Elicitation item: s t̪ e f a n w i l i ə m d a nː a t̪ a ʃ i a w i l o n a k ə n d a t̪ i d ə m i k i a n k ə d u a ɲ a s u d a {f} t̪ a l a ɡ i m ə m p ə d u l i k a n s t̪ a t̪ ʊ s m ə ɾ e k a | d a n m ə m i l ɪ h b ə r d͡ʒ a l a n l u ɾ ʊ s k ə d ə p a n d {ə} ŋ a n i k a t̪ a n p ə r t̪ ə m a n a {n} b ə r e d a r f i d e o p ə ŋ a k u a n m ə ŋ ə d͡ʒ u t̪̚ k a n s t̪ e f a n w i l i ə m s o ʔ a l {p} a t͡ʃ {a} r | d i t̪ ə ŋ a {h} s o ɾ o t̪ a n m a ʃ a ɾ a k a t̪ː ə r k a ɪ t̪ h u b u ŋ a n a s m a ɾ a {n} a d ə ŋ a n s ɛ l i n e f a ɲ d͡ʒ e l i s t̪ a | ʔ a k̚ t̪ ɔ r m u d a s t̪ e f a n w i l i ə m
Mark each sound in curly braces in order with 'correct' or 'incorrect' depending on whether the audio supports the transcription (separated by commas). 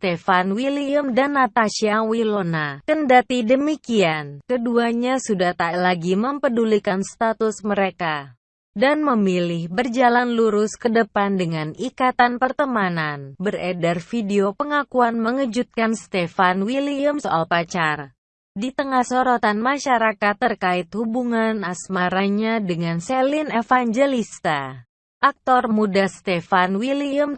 incorrect, correct, correct, correct, correct, correct, incorrect